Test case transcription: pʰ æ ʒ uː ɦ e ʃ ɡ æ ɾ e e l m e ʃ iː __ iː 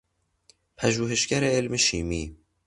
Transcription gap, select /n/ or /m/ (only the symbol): m